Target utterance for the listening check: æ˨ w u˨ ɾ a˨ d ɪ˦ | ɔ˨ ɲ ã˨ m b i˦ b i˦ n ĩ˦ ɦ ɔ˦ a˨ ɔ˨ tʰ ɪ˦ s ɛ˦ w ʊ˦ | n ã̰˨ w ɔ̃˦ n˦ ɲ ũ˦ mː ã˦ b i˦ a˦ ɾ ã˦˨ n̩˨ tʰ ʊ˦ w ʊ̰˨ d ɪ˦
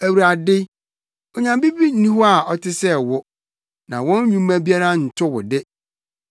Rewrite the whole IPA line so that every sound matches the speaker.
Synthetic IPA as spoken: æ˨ w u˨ ɾ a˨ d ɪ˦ | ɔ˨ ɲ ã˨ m b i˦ b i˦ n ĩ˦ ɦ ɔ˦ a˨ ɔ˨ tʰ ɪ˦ s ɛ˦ w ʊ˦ | n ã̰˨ w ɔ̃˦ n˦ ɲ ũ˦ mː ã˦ b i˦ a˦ ɾ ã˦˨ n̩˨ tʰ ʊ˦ w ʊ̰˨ d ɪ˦